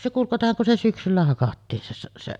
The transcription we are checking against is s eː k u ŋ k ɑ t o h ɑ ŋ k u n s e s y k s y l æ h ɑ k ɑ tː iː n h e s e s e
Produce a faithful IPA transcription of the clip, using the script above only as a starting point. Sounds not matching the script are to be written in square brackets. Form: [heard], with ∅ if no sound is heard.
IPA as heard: s [e] k u ŋ k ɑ t o h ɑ ŋ k u n s e s y k s y [lː] æ h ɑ k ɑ tː iː n [s] e s e s e